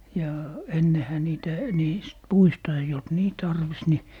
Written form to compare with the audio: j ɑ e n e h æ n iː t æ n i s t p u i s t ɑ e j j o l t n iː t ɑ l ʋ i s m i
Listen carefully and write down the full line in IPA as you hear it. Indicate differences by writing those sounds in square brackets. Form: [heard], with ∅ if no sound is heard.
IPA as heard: j ɑ e [nː] e h æ n iː t æ n [iː] s t p u i s t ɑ e [i] j o l t n iː t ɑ [r] ʋ i s [n] i